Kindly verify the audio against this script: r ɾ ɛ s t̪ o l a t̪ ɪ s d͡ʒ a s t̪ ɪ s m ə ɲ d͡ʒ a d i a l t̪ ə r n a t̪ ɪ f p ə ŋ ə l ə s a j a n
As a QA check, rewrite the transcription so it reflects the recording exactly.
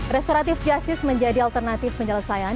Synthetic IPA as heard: r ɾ ɛ s t̪ o ɾ a t̪ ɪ f d͡ʒ a s t̪ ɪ s m ə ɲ d͡ʒ a d i a l t̪ ə r n a t̪ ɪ f p ə ɲ ə l ə s a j a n